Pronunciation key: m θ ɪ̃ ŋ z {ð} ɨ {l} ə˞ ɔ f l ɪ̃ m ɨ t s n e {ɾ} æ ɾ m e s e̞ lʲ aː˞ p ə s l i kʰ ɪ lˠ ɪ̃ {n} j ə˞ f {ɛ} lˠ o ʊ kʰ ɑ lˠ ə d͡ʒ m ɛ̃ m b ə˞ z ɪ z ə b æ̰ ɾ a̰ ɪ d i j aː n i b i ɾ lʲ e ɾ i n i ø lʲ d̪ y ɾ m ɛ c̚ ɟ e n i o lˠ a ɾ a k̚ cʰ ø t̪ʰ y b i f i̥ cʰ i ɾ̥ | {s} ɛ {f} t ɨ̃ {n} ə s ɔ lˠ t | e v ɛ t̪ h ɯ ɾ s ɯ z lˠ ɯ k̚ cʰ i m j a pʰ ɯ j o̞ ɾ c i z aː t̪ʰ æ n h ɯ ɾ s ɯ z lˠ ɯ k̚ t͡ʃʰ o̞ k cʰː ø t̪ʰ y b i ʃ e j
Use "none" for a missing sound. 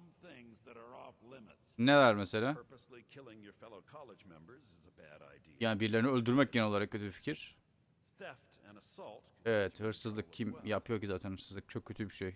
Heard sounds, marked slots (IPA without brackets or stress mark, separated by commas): ð, ɾ, l, ŋ, ɛ, θ, f, n